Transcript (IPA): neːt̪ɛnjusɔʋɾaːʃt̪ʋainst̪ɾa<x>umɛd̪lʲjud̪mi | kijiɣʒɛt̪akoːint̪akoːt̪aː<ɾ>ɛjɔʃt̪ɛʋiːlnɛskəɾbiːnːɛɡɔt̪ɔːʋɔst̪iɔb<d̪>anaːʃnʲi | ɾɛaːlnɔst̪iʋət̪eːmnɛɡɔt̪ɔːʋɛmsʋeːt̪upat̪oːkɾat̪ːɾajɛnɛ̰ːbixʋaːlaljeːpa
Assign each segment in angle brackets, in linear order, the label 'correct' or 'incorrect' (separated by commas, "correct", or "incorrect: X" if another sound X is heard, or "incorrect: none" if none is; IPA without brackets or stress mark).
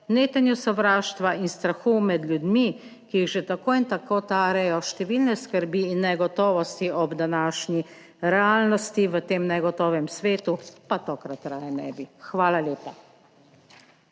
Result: correct, correct, correct